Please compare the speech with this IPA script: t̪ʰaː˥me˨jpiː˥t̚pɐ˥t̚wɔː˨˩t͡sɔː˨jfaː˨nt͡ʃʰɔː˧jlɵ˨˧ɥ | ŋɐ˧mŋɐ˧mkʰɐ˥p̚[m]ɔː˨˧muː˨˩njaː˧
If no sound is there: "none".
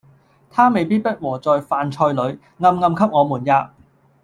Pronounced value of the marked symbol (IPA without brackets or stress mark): ŋ